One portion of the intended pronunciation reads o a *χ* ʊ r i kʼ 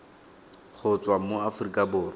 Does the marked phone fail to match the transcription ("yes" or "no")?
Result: yes